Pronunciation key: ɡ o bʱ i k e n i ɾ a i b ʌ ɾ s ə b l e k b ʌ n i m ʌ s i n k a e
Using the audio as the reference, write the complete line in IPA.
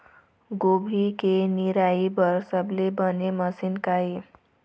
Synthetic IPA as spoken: ɡ o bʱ i k e n i ɾ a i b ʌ ɾ s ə b l e b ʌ n e m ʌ s i n k a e